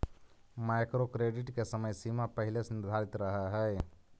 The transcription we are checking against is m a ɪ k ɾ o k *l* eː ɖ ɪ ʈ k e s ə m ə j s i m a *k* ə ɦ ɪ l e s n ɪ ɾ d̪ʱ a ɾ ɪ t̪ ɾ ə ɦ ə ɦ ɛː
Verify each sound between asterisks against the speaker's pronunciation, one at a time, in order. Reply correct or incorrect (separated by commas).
incorrect, incorrect